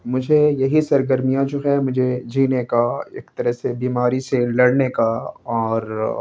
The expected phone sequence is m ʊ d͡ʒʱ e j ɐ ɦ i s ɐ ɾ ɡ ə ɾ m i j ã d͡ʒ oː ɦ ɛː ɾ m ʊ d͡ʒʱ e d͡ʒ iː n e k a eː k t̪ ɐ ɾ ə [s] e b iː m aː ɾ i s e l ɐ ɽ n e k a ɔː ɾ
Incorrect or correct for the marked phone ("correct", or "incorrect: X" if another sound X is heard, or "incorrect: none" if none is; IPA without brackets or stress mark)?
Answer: correct